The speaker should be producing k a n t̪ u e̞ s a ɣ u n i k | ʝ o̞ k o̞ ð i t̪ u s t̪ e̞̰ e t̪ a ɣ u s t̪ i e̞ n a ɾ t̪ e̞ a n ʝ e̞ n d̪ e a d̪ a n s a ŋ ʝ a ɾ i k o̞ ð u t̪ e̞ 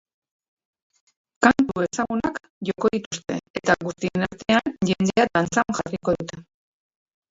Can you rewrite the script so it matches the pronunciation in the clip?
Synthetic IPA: k a n t̪ u e̞ s a ɣ u n a k | ʝ o̞ k o̞ ð i t̪ u s t̪ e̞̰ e t̪ a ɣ u s t̪ i e̞ n a ɾ t̪ e̞ a n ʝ e̞ n d̪ e a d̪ a n t͡s a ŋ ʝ a r i k o̞ ð u t̪ e̞